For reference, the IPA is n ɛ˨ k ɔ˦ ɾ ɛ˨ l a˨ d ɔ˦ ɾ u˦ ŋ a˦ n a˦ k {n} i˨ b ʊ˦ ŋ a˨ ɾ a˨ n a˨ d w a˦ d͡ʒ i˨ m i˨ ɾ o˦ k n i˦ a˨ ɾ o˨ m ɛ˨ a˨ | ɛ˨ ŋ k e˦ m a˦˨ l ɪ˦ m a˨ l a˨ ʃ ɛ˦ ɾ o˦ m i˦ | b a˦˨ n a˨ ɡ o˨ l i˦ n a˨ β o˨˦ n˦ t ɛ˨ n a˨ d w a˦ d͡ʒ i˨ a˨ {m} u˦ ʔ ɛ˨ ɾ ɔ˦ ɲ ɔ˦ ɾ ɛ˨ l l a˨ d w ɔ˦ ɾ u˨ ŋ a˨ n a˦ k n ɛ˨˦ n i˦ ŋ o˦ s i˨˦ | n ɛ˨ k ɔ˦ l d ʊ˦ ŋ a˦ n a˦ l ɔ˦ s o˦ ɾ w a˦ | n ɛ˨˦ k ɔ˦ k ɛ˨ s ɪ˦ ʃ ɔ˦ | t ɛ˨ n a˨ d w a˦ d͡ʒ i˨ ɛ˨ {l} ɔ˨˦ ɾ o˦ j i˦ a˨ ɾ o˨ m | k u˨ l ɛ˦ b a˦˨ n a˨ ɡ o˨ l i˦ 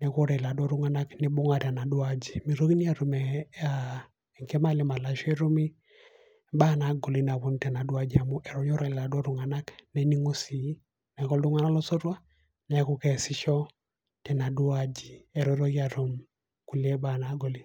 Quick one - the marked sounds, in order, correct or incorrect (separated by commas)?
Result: correct, correct, incorrect